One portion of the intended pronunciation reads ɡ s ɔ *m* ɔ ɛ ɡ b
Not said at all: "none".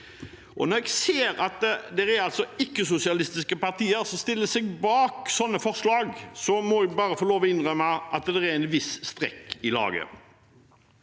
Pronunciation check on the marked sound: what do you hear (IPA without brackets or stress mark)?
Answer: m